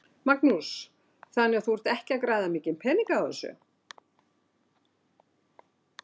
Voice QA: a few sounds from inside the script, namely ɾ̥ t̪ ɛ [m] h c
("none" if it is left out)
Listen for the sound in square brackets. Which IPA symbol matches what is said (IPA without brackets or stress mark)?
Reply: none